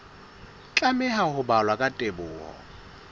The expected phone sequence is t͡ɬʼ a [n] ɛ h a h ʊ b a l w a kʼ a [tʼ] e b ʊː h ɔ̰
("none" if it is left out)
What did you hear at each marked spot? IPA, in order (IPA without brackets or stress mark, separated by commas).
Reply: m, tʼ